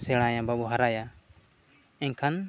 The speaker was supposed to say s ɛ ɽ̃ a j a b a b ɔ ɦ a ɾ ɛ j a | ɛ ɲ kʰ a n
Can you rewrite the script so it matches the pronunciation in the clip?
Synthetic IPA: s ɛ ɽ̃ a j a b a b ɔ ɦ a ɾ a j a | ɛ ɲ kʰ a n